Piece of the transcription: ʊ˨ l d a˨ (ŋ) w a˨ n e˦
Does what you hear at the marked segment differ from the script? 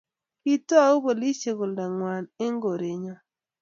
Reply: no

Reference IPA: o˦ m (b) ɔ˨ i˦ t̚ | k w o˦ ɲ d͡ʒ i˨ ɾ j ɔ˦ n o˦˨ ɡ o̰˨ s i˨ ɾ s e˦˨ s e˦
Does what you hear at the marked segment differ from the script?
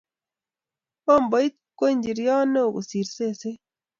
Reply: no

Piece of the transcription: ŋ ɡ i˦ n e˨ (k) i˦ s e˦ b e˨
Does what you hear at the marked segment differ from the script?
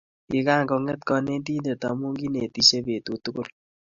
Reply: yes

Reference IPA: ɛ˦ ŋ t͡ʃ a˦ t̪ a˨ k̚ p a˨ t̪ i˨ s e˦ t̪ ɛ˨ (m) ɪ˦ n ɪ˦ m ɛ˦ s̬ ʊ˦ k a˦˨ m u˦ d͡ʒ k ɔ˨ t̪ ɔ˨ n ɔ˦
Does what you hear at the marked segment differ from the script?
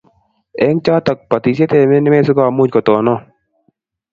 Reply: no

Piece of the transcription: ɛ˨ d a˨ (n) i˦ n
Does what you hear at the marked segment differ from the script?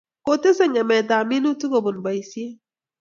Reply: yes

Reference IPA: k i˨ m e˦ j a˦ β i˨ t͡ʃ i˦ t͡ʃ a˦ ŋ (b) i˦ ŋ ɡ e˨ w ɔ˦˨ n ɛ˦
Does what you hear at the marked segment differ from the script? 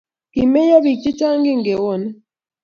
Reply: yes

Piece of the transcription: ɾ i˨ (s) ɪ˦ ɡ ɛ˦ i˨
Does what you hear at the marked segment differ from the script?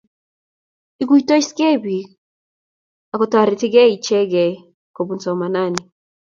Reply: yes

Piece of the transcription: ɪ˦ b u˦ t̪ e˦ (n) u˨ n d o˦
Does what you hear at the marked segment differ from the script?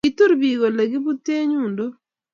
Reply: yes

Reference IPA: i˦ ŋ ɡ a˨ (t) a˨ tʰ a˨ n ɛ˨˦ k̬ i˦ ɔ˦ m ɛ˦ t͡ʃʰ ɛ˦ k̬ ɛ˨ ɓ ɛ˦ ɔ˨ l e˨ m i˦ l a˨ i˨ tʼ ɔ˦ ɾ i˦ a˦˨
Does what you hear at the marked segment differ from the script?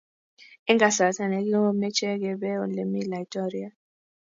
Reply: yes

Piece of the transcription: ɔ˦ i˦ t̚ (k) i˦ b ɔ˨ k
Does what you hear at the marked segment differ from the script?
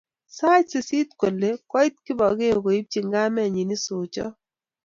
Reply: no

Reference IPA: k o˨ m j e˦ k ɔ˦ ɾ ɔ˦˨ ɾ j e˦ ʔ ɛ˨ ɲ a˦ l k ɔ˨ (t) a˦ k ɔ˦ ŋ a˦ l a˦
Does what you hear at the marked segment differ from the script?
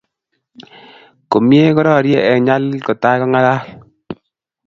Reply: no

